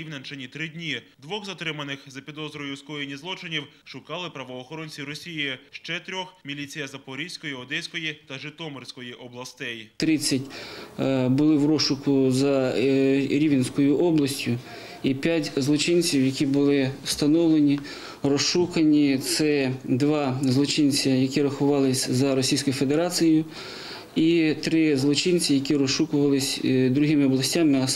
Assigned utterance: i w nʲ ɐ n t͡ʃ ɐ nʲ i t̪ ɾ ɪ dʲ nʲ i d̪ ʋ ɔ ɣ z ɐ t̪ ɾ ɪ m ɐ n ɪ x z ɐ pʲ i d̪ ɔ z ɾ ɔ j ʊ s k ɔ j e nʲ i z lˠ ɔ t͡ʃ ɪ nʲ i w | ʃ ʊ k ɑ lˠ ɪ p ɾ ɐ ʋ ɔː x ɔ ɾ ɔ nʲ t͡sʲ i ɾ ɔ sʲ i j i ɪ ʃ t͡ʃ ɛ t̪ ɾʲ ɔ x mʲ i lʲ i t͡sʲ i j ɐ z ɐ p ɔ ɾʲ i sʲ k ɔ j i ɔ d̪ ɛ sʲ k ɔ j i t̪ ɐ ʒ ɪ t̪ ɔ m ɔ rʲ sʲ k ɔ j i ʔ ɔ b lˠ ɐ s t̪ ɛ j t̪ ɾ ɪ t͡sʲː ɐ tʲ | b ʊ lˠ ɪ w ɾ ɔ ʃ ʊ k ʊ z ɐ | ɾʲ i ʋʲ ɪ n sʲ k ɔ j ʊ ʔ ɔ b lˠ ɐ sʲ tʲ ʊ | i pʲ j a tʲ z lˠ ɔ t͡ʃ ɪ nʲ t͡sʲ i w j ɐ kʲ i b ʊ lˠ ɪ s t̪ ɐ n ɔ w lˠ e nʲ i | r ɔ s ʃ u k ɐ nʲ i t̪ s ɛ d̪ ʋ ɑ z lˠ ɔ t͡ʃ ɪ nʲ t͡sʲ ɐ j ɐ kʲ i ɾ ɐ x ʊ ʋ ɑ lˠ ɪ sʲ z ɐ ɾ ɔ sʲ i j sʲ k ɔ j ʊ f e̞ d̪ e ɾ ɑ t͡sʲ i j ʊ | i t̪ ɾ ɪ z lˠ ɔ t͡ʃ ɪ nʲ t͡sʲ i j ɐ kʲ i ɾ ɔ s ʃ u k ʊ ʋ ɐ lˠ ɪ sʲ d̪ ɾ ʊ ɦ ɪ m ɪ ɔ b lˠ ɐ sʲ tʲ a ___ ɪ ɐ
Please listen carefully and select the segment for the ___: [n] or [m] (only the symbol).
m